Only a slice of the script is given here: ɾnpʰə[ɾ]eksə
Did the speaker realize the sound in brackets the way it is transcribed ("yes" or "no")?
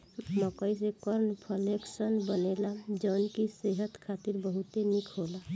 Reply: no